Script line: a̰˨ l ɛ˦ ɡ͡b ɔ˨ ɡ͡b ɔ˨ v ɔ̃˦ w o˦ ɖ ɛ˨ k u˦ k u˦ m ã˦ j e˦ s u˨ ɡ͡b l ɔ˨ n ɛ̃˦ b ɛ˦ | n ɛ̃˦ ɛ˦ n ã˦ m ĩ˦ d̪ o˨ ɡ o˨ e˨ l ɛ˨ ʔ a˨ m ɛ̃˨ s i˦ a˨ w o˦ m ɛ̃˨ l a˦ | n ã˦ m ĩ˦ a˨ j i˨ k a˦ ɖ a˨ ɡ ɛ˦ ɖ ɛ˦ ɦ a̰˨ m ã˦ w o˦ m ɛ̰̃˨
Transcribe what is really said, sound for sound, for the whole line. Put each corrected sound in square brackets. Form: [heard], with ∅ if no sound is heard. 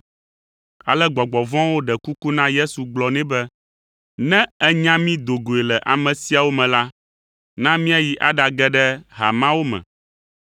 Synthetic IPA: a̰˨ l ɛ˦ ɡ͡b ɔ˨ ɡ͡b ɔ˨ v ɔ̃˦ w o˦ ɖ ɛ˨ k u˦ k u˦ [n] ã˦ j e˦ s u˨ ɡ͡b l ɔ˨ n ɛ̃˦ b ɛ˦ | n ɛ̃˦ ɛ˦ [ɲ] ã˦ m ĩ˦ d̪ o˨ ɡ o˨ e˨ l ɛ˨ ʔ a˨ m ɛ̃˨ s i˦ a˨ w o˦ m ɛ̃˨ l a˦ | n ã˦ m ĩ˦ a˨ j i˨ [ʔ] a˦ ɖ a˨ ɡ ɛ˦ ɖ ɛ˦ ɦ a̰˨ m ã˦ w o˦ m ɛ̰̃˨